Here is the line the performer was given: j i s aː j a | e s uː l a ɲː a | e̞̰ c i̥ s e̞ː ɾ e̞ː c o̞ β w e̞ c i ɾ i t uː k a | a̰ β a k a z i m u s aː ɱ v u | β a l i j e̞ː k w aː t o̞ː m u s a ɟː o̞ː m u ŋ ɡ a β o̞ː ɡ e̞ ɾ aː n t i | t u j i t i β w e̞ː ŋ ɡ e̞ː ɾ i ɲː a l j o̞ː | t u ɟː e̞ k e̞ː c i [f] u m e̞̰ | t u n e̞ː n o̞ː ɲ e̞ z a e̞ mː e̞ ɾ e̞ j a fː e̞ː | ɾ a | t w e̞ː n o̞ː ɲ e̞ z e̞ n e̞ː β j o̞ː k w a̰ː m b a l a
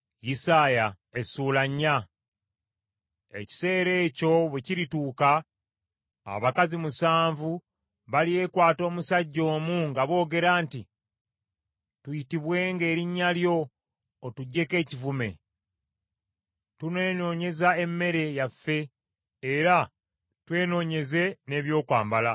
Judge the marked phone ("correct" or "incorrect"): incorrect